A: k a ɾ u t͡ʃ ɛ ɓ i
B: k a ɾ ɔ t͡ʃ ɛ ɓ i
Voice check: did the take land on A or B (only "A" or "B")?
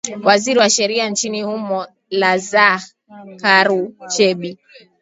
A